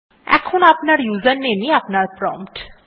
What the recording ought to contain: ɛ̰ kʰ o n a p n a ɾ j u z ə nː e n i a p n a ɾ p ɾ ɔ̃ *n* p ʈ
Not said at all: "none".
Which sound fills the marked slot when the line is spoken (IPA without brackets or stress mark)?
m